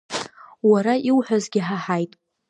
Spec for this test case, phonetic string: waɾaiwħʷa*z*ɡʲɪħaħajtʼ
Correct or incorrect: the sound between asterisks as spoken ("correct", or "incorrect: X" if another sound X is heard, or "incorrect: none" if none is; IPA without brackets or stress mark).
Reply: correct